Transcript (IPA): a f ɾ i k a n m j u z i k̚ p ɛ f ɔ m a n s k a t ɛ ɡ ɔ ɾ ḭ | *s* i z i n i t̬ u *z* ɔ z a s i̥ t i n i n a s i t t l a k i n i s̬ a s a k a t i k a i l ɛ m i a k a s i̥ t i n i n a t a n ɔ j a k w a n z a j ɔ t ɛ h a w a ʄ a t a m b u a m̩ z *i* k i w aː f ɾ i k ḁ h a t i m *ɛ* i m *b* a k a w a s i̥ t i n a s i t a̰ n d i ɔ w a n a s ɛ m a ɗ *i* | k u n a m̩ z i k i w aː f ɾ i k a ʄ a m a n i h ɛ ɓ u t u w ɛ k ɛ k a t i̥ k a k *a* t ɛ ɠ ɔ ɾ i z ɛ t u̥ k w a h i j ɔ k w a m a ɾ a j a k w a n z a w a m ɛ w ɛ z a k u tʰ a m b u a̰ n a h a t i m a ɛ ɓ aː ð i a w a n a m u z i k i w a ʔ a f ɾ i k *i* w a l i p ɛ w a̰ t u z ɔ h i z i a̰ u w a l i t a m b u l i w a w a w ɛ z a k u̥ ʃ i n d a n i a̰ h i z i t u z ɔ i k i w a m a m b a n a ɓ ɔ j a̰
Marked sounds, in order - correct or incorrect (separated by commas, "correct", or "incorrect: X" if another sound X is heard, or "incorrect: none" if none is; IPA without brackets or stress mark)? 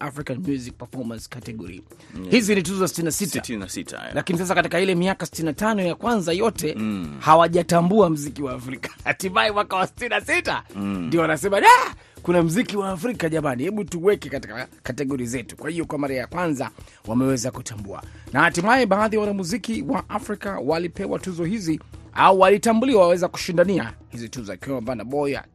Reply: incorrect: h, correct, correct, incorrect: a, incorrect: w, incorrect: a, correct, incorrect: a